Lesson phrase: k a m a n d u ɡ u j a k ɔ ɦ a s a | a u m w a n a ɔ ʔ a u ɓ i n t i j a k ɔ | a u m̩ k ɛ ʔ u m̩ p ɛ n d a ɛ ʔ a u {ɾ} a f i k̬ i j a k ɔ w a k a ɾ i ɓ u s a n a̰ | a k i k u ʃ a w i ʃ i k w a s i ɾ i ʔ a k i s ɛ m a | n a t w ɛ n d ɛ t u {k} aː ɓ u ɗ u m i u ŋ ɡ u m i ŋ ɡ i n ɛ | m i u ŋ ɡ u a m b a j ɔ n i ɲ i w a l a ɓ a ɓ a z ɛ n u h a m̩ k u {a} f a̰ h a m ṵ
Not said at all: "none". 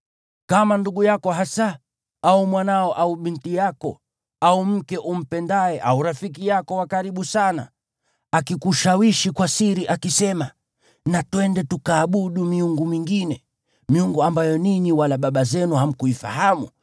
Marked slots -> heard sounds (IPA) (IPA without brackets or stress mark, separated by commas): ɾ, k, i